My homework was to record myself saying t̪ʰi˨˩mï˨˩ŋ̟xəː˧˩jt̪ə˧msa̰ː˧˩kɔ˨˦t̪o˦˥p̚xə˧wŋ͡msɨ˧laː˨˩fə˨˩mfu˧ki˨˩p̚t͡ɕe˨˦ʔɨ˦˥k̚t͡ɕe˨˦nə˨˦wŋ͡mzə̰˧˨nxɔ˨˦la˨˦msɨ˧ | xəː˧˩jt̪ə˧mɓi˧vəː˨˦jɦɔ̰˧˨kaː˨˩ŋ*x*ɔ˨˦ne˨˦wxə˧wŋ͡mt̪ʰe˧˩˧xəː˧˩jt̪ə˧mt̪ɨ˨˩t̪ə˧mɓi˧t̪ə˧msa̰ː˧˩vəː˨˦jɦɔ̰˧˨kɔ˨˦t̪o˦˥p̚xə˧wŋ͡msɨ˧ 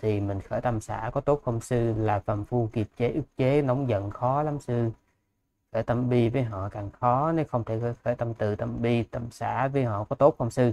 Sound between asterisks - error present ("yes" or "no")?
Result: no